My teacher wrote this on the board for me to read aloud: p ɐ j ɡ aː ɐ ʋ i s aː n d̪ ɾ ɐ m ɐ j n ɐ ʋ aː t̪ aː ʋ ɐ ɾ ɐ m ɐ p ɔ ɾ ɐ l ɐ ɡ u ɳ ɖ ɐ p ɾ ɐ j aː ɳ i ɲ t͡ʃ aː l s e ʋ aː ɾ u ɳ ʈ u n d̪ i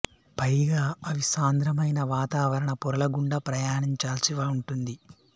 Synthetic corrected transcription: p ɐ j ɡ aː ɐ ʋ i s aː n d̪ ɾ ɐ m ɐ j n ɐ ʋ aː t̪ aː ʋ ɐ ɾ ɐ ɳ ɐ p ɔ ɾ ɐ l ɐ ɡ u ɳ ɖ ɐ p ɾ ɐ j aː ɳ i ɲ t͡ʃ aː l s i ʋ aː u ɳ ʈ u n d̪ i